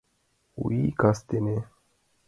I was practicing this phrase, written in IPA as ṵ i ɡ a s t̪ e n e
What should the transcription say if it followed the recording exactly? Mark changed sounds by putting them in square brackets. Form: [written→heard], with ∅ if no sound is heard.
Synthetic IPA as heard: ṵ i [ɡ→k] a s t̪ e n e